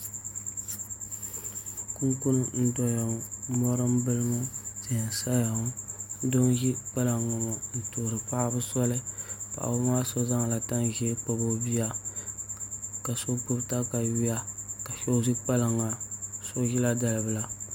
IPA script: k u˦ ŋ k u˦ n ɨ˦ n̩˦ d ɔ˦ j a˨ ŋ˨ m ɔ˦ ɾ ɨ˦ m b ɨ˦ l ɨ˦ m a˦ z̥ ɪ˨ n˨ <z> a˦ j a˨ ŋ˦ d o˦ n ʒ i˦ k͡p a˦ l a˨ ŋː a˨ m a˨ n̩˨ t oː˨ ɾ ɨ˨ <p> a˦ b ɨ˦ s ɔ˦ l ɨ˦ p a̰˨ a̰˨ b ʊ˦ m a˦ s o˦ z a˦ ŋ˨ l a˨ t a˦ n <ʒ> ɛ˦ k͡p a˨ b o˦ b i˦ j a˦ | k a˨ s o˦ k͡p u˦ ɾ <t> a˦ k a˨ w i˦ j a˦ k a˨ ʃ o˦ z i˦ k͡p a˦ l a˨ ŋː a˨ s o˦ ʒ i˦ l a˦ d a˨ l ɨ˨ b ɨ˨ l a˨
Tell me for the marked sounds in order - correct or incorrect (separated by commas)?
incorrect, correct, correct, correct